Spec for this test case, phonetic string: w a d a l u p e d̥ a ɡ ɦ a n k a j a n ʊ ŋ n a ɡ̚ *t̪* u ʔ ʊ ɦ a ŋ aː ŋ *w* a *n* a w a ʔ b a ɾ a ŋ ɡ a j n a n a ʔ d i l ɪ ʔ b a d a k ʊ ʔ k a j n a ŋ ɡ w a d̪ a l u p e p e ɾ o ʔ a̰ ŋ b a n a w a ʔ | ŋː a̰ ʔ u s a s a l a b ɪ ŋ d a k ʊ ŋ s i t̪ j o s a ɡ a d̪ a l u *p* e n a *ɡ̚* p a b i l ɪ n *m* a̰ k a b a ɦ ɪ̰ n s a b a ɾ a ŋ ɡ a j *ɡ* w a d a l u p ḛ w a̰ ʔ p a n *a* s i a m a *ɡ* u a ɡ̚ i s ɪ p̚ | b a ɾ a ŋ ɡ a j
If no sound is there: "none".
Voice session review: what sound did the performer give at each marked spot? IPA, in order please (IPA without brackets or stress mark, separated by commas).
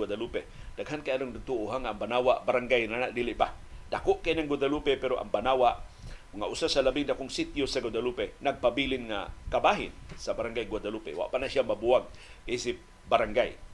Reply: t̪, b, n, p, ɡ̚, ŋ, ɡ, a, b